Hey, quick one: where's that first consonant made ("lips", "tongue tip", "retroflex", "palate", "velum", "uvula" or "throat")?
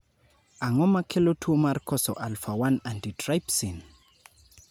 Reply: velum